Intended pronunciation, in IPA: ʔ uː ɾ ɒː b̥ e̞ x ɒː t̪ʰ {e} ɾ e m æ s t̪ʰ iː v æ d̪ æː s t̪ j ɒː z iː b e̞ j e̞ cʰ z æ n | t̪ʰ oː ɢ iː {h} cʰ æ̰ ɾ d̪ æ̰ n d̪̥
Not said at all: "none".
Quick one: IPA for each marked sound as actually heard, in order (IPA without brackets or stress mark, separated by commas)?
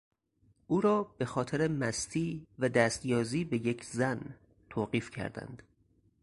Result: e, f